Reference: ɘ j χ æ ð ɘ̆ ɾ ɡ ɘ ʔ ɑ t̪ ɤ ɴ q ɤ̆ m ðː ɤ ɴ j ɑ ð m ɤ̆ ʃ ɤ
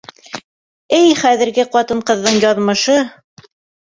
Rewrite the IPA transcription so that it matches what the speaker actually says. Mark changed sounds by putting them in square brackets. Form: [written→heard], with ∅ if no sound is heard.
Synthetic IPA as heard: ɘ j χ æ ð ɘ̆ ɾ ɡ ɘ [ʔ→q] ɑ t̪ ɤ ɴ q ɤ̆ [m→∅] ðː ɤ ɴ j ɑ ð m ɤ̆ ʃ ɤ